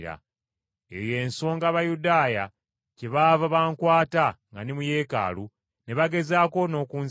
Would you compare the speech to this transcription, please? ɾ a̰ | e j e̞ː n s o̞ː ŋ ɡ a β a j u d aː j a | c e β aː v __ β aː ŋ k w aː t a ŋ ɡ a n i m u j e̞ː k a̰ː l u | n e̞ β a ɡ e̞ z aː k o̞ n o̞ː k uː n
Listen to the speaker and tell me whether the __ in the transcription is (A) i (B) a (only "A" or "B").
B